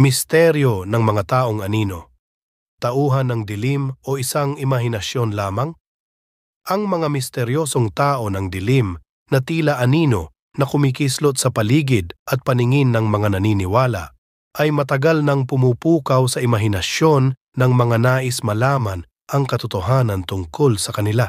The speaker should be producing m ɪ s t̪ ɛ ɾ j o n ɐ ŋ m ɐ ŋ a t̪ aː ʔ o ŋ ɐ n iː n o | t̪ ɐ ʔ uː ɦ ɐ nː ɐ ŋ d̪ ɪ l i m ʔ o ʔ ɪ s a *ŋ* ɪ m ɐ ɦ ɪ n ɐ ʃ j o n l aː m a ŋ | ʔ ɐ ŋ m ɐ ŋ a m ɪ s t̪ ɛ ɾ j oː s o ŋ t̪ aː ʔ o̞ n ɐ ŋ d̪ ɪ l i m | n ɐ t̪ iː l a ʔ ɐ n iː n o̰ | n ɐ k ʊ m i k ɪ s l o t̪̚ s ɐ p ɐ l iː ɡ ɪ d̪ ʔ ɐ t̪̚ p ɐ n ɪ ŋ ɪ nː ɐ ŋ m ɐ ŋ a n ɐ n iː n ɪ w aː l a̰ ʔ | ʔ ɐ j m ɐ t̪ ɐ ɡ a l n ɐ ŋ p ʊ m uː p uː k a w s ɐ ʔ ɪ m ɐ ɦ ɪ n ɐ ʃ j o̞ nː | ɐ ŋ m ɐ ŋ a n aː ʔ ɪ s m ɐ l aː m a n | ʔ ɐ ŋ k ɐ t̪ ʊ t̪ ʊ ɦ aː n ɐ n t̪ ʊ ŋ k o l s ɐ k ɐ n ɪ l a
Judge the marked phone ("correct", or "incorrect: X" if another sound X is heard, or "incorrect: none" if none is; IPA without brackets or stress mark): correct